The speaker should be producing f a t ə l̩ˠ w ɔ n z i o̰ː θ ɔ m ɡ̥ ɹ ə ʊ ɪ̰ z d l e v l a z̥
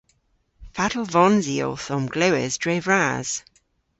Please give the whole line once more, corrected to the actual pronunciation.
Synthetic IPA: f a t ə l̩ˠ v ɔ n z i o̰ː θ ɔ m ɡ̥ l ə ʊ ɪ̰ z d ɹ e v ɹ a z̥

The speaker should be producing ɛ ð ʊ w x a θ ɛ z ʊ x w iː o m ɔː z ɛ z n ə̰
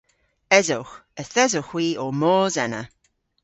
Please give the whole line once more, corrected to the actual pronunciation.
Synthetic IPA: ɛ z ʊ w x ə θ ɛ z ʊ x w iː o m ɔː z ɛ n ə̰

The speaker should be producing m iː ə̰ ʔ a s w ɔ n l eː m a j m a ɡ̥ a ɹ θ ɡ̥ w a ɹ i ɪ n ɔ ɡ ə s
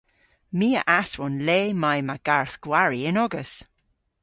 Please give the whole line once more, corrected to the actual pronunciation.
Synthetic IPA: m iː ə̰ ʔ a s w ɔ n l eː m a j m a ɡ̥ a ɹ θ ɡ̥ w a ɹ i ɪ n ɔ ɡ ə s

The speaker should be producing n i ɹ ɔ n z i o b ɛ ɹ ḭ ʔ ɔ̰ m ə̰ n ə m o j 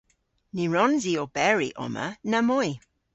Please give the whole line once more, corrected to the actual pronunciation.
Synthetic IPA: n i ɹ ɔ n z i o b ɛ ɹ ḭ ʔ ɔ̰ m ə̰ n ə m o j

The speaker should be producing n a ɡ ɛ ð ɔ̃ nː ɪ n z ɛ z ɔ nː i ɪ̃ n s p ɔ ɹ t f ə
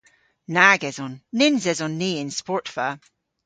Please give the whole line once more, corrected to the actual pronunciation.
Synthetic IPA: n a ɡ ɛ z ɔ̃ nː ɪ n z ɛ z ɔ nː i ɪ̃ n s p ɔ ɹ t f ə

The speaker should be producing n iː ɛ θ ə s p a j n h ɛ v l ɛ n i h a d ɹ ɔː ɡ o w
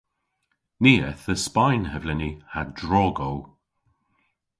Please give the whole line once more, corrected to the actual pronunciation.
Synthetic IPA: n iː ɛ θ ə s p a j n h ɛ v l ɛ n i h a d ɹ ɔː ɡ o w

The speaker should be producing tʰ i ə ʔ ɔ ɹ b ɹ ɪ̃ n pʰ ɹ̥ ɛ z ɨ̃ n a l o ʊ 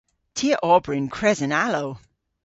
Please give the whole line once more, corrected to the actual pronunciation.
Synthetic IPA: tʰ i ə ʔ ɔ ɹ b ɹ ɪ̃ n kʰ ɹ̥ ɛ z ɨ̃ n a l o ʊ

